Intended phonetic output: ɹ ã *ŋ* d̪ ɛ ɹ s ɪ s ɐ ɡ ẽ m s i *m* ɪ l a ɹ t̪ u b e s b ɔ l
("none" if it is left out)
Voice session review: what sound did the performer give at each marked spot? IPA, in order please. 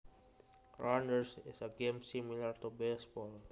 n, m

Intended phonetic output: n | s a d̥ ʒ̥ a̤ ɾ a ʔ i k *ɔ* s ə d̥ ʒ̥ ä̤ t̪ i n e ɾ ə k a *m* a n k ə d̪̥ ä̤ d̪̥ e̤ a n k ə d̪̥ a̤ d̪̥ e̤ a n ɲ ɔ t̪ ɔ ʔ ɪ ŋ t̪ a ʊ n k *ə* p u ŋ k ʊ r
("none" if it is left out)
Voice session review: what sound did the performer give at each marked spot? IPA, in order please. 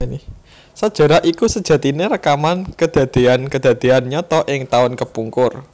u, m, ə

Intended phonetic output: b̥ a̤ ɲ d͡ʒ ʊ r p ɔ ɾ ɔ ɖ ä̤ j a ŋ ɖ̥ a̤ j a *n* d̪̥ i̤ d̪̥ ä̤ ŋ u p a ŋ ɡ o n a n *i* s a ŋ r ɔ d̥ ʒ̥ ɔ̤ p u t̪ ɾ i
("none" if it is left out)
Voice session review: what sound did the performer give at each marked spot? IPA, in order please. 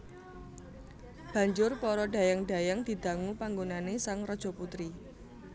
ŋ, e

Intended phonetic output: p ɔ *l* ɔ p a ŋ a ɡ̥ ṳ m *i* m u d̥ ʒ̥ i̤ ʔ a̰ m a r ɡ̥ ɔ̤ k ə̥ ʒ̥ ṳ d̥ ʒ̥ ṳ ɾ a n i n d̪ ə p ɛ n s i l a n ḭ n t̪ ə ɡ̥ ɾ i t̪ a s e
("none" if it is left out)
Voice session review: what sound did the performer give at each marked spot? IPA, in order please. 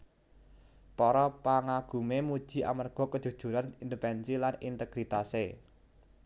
ɾ, e

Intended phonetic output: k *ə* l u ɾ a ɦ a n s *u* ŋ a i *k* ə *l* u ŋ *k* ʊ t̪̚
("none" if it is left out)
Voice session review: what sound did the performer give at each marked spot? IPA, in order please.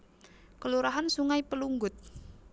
ə, u, p, l, ɡ

